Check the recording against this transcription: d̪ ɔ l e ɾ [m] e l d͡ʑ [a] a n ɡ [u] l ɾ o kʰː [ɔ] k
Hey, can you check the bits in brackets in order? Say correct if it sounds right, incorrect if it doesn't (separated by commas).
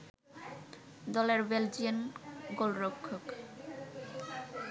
incorrect, incorrect, incorrect, incorrect